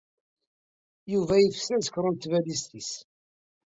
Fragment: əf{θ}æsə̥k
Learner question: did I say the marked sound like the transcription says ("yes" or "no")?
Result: no